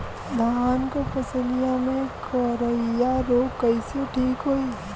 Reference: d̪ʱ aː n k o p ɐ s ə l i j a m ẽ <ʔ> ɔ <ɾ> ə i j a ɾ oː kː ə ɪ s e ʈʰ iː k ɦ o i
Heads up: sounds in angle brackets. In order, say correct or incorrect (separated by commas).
incorrect, correct